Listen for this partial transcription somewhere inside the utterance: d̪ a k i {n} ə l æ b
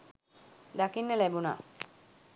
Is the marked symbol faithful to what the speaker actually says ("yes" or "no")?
no